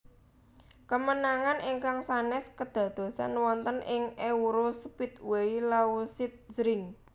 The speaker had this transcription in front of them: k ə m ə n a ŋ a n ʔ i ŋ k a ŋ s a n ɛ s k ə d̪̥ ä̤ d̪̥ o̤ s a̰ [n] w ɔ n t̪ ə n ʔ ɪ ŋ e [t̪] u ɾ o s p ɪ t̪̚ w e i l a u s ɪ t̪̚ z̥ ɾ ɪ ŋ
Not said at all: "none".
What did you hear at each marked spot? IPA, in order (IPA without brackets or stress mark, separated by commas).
n, none